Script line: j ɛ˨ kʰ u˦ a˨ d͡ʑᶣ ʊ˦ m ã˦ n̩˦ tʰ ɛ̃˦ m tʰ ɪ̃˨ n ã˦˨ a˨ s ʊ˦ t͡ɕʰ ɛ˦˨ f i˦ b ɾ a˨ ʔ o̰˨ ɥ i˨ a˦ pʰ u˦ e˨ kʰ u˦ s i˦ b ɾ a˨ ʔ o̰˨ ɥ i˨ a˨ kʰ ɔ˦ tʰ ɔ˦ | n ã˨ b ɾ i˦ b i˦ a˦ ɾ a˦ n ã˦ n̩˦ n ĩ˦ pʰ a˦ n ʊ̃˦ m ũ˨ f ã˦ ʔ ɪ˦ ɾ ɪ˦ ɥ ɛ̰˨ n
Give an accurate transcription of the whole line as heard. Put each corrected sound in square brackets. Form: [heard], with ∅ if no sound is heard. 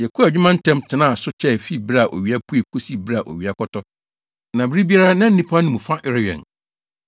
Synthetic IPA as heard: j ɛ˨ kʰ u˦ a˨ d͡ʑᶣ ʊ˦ m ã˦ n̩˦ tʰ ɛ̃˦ m tʰ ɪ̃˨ n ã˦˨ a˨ s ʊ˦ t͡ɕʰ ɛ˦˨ f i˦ b ɾ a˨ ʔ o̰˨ ɥ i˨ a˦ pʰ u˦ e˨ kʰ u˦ s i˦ b ɾ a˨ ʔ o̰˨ ɥ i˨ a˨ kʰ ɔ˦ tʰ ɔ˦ | n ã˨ b ɾ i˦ b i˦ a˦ ɾ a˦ n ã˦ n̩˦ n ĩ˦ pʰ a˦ n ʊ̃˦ m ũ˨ f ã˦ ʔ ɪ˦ ɾ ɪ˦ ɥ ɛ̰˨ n